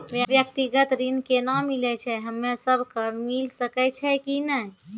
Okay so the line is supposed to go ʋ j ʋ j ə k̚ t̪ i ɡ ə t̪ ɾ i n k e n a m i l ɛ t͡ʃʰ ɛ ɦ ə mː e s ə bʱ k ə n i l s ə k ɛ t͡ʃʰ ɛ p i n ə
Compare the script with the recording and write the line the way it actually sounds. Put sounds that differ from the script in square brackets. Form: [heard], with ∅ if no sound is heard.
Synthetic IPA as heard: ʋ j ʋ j ə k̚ t̪ i ɡ ə t̪ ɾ i n k e n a m i l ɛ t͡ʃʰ ɛ ɦ ə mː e s ə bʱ k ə [m] i l s ə k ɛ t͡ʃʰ ɛ [k] i n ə